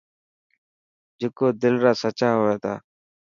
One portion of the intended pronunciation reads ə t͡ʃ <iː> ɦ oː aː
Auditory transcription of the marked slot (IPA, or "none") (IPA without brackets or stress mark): aː